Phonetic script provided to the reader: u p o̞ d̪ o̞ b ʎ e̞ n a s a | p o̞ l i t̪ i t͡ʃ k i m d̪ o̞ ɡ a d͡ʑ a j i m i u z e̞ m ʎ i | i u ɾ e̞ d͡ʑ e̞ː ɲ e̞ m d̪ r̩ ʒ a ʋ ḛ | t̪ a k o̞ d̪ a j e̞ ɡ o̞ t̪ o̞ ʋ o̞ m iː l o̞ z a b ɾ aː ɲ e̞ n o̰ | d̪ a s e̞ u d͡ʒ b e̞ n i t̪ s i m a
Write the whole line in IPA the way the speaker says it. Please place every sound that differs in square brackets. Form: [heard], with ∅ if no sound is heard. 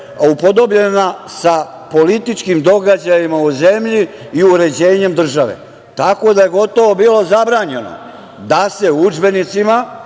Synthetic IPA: u p o̞ d̪ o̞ b ʎ e̞ n a s a | p o̞ l i t̪ i t͡ʃ k i m d̪ o̞ ɡ a d͡ʑ a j i m [a] u z e̞ m ʎ i | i u ɾ e̞ d͡ʑ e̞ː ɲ e̞ m d̪ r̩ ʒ a ʋ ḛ | t̪ a k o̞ d̪ a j e̞ ɡ o̞ t̪ o̞ ʋ o̞ [b] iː l o̞ z a b ɾ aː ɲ e̞ n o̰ | d̪ a s e̞ u d͡ʒ b e̞ n i t̪ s i m a